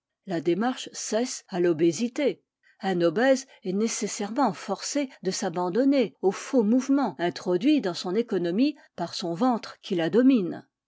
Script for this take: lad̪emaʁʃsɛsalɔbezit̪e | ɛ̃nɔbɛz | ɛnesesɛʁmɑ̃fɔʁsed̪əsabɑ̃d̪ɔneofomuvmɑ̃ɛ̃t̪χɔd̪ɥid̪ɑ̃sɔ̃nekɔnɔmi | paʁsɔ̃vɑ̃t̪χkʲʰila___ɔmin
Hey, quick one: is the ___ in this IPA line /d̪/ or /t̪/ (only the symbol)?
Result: d̪